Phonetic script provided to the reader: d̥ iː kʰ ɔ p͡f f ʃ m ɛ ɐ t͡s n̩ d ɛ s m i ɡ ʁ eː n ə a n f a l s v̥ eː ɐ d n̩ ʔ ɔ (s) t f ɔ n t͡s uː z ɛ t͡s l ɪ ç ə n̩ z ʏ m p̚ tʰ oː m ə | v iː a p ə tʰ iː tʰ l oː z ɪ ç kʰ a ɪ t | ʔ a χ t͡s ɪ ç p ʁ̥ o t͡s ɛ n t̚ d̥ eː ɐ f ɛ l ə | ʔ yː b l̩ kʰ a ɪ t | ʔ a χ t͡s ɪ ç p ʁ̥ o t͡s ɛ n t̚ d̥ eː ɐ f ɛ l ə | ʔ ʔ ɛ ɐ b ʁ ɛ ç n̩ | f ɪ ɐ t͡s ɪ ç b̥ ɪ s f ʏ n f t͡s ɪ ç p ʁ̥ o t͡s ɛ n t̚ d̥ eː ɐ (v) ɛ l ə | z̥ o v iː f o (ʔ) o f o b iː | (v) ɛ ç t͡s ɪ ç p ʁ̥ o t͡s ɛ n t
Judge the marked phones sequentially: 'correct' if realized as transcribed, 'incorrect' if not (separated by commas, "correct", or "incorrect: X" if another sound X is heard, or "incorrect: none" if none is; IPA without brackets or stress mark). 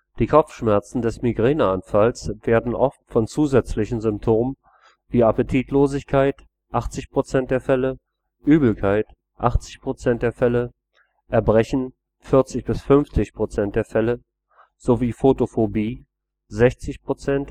incorrect: f, incorrect: f, incorrect: t, incorrect: z